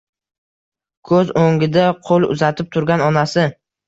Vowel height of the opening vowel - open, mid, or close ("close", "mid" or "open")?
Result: mid